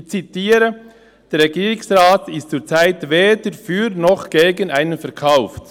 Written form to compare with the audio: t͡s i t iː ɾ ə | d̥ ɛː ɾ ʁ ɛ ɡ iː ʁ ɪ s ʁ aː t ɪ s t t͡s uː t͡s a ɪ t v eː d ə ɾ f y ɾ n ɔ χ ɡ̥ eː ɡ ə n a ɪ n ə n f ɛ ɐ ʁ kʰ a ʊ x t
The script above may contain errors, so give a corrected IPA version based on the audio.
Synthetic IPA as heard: t͡s i t iː ɾ ə | d̥ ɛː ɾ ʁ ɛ ɡ iː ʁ ɪ s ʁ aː t ɪ s t t͡s uː t͡s a ɪ t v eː d ə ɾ f yː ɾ n ɔ χ ɡ̥ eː ɡ ə n a ɪ n ə n f ɛ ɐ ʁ kʰ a ʊ f t